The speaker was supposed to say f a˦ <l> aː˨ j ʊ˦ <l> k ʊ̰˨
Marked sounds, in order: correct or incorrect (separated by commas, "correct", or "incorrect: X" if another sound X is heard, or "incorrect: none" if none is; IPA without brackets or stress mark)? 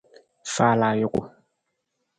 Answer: correct, incorrect: none